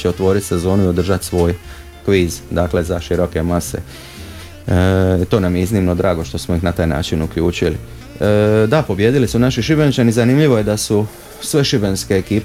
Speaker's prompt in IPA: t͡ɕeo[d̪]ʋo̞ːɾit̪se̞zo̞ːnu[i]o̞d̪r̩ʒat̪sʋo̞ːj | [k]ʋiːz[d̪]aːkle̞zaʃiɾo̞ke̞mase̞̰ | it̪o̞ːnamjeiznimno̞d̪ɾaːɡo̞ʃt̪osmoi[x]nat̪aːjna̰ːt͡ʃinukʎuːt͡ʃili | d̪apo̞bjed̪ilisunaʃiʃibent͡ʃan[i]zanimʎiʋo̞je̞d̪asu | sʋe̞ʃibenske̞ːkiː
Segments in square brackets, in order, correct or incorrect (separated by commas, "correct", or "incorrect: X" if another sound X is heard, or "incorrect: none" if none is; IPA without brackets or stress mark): incorrect: t̪, correct, correct, correct, correct, correct